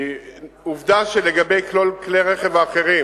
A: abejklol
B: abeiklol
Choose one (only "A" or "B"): A